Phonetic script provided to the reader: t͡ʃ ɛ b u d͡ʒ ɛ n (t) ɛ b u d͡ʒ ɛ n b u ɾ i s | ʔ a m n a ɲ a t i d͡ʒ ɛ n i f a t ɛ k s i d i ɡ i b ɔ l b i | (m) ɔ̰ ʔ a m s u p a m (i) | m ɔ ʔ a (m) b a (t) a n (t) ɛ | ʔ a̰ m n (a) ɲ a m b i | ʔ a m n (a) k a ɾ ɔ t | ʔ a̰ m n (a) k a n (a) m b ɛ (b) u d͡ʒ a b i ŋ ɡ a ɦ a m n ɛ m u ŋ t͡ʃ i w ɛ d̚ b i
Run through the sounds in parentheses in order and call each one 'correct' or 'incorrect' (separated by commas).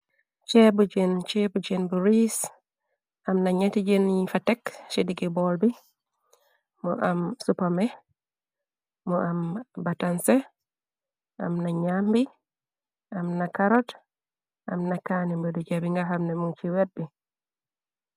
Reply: incorrect, correct, incorrect, correct, correct, incorrect, correct, correct, correct, incorrect, incorrect